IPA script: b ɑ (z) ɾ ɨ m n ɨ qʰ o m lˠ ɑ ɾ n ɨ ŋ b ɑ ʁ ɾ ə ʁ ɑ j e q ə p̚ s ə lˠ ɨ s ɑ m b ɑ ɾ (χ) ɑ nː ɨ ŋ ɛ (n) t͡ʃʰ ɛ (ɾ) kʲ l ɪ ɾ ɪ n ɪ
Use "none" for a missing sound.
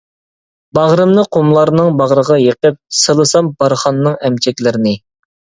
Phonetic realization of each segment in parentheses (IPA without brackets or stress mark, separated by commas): ʁ, χ, m, none